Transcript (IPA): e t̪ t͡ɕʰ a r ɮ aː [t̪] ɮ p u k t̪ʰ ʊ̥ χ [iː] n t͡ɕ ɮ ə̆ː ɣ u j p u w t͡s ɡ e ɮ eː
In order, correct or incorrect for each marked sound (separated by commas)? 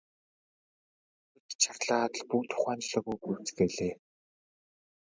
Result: correct, incorrect